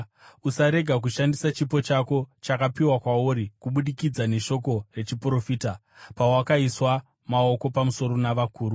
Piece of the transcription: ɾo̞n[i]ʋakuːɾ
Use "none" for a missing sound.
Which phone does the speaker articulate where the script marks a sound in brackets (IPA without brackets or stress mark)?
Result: a